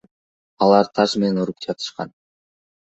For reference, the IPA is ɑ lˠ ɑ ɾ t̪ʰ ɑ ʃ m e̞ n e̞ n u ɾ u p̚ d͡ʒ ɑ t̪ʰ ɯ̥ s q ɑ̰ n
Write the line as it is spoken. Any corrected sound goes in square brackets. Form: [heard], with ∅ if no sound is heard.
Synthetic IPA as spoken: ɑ lˠ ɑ ɾ t̪ʰ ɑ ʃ m e̞ n e̞ n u ɾ u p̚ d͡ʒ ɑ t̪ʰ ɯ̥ [ʃ] q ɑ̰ n